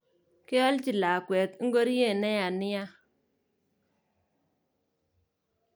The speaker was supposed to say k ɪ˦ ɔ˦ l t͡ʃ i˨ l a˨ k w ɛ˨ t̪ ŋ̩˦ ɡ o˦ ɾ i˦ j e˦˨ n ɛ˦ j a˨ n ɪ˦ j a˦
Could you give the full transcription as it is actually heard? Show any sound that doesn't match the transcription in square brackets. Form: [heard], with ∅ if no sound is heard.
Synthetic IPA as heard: k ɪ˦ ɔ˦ l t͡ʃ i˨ l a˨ k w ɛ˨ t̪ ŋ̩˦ ɡ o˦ ɾ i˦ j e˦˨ n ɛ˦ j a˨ n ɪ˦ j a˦